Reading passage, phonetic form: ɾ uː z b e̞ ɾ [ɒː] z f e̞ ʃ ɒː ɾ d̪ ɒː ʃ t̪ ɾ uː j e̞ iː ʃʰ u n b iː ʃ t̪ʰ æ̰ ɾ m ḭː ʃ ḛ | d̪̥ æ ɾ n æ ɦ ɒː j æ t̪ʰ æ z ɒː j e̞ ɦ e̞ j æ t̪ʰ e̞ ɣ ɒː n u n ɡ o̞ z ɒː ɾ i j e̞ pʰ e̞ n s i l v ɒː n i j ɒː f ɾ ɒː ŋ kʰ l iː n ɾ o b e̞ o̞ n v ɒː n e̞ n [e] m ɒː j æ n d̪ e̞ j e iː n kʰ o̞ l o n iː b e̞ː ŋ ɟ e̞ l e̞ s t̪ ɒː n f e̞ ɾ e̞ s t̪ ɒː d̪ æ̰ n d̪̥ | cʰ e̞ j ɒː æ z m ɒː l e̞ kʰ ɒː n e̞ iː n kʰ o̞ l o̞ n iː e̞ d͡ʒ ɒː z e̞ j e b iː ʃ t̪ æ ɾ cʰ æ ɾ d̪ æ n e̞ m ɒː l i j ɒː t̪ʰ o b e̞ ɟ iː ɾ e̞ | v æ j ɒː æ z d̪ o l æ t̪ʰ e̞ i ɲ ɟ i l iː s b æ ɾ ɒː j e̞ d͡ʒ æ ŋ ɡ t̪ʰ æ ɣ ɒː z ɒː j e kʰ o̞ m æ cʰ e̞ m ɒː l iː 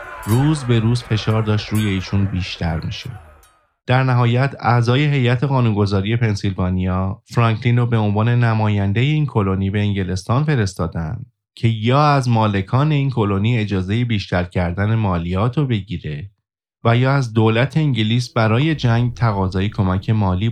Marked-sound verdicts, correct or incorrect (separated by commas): incorrect, incorrect